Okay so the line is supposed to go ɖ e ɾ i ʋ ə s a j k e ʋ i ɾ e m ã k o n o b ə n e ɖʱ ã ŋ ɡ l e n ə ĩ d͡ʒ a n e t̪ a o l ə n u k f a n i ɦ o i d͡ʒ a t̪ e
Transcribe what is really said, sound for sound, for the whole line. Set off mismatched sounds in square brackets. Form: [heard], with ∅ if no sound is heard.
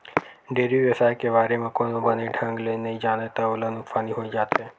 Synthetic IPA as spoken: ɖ e ɾ i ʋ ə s a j k e ʋ [a] ɾ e m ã k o n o b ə n e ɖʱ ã ŋ ɡ l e n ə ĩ d͡ʒ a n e t̪ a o l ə n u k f a n i ɦ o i d͡ʒ a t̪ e

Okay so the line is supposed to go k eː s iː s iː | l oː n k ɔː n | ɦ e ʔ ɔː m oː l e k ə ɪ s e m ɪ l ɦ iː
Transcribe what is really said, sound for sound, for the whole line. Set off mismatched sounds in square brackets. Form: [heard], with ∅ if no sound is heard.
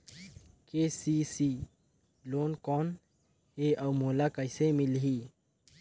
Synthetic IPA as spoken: k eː s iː s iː | l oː n k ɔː n | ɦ e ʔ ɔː m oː l [a] k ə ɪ s e m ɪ l ɦ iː

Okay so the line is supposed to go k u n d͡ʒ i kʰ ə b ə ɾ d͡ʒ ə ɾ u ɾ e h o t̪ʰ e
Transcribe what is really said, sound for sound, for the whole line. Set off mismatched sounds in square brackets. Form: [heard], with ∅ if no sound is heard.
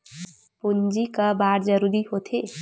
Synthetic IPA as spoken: [p] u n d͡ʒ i [k] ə b [a] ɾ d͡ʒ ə ɾ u ɾ [i] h o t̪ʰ e

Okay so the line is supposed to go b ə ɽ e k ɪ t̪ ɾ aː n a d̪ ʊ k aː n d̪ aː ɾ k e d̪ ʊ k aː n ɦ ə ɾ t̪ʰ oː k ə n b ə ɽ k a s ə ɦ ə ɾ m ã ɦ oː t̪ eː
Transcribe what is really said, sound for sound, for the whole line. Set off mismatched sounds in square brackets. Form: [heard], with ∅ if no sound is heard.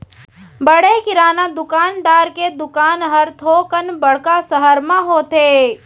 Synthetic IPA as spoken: b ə ɽ e k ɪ [∅] ɾ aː n a d̪ ʊ k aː n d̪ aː ɾ k e d̪ ʊ k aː n ɦ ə ɾ t̪ʰ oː k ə n b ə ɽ k a s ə ɦ ə ɾ m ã ɦ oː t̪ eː

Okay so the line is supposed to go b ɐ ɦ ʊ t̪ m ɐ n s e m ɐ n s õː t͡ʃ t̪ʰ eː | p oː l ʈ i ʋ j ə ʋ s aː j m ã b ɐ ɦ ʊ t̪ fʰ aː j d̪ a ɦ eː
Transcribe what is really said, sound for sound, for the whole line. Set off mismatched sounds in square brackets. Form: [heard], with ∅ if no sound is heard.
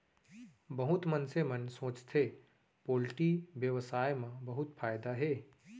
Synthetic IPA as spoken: b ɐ ɦ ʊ t̪ m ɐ n s e m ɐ n s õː t͡ʃ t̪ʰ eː | p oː l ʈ i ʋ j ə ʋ s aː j m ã b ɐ ɦ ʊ t̪ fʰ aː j d̪ a ɦ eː

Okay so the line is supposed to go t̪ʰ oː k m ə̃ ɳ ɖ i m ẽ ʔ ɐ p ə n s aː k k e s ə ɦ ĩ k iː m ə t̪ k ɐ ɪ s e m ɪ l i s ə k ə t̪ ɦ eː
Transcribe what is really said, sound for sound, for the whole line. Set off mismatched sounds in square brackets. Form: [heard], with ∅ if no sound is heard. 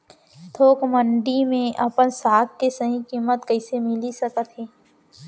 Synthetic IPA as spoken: t̪ʰ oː k m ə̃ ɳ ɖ i m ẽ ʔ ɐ p ə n s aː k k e s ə ɦ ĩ k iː m ə t̪ k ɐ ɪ s e m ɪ l i s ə k ə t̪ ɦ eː

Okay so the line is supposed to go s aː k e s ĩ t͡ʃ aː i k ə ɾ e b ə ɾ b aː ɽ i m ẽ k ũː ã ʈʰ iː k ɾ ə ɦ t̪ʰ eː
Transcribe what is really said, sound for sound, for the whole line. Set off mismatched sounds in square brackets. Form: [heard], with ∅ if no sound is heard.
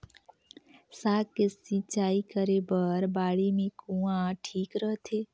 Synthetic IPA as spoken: s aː k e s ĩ t͡ʃ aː i k ə ɾ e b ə ɾ b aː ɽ i m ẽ k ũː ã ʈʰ iː k ɾ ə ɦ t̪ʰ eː

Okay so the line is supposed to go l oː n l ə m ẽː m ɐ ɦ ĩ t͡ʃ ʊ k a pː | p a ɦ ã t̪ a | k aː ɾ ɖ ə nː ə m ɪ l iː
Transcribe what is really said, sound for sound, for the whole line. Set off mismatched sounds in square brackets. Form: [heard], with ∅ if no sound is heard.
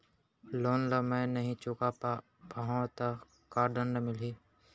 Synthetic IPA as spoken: l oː n l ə m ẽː [n] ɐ ɦ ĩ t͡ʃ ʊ k a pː | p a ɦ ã t̪ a | k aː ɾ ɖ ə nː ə m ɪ l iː

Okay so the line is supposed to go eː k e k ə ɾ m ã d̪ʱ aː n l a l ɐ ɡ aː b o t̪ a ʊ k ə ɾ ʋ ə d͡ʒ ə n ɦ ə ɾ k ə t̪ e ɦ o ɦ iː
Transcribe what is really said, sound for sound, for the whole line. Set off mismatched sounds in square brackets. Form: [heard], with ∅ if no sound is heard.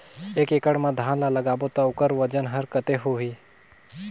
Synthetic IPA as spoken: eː k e k ə [ɽ] m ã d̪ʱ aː n l a l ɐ ɡ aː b o t̪ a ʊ k ə ɾ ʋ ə d͡ʒ ə n ɦ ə ɾ k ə t̪ e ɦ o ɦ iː

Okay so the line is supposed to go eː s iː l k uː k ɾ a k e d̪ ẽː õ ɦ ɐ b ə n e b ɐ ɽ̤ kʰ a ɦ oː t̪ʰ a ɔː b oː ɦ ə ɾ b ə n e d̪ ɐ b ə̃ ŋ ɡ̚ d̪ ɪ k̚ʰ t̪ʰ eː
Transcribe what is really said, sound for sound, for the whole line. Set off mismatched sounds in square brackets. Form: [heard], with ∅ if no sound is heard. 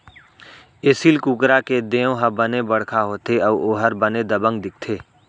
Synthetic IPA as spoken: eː s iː l k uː k ɾ a k e d̪ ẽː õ ɦ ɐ b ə n e b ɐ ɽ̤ kʰ a ɦ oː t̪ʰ [e] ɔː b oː ɦ ə ɾ b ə n e d̪ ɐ b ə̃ ŋ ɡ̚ d̪ ɪ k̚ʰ t̪ʰ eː

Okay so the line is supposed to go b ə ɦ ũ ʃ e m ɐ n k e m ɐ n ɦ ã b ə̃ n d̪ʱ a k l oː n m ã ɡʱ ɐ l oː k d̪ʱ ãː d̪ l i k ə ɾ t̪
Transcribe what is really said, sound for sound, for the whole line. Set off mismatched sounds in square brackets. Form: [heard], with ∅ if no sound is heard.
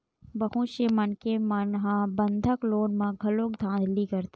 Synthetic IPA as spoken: b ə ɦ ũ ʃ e m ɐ n k e m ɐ n ɦ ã b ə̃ n d̪ʱ [ə] k l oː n m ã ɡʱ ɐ l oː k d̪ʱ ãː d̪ l i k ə ɾ t̪

